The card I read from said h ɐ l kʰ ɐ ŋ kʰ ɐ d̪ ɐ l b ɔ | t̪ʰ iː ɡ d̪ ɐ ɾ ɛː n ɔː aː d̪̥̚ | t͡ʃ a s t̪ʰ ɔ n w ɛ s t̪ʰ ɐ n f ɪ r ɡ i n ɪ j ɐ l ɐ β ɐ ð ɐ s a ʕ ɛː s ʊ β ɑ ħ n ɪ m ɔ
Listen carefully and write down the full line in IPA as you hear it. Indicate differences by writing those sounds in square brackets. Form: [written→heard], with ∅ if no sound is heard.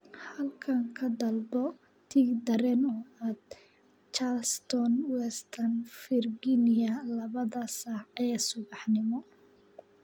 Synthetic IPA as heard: h ɐ l kʰ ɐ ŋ kʰ ɐ d̪ ɐ l b ɔ | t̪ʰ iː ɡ d̪ ɐ ɾ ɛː n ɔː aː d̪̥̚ | t͡ʃ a s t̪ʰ ɔ n w ɛ s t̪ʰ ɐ n f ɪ r ɡ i n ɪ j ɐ l ɐ β ɐ ð ɐ s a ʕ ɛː s ʊ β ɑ ħ n ɪ m ɔ

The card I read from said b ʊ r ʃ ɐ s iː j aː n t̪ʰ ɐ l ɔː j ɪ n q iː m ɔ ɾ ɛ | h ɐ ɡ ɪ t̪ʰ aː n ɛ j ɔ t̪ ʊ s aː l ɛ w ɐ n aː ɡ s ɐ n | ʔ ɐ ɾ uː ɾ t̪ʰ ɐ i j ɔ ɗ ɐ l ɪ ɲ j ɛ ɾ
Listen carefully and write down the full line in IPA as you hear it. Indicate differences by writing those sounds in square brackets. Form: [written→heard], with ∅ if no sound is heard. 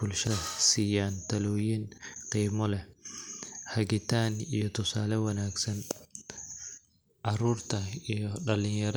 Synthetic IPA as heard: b ʊ [r→l] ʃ ɐ s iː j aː n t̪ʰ ɐ l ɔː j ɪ n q iː m ɔ [ɾ→l] ɛ | h ɐ ɡ ɪ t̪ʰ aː n [ɛ→i] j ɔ t̪ ʊ s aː l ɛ w ɐ n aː ɡ s ɐ n | ʔ ɐ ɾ uː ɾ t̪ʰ ɐ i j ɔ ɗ ɐ l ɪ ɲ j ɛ ɾ

